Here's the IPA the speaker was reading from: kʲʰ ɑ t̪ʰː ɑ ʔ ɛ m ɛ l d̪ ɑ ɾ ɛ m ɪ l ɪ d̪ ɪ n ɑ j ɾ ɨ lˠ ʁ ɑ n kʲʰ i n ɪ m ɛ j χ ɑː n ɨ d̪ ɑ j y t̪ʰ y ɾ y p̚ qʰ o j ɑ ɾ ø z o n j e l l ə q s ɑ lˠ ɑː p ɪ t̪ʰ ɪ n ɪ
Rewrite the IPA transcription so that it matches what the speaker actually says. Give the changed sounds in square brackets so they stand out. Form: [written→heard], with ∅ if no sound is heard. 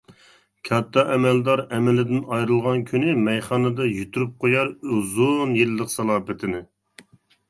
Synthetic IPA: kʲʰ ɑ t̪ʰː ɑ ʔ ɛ m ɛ l d̪ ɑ ɾ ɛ m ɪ l ɪ d̪ ɪ n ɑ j ɾ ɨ lˠ ʁ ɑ n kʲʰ [i→y] n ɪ m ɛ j χ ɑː n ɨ d̪ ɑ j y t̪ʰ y ɾ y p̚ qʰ o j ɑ ɾ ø z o n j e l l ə q s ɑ lˠ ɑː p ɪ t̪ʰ ɪ n ɪ